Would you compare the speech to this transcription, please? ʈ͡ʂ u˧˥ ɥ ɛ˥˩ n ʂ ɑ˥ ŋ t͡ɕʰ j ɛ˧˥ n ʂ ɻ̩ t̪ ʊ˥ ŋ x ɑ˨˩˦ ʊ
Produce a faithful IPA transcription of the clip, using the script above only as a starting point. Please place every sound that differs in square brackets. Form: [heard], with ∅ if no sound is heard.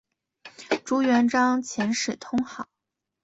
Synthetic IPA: ʈ͡ʂ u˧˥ ɥ [ɛ˧˥] n [ʈ͡ʂ] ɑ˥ ŋ t͡ɕʰ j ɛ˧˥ n ʂ ɻ̩ [t̪ʰ] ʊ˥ ŋ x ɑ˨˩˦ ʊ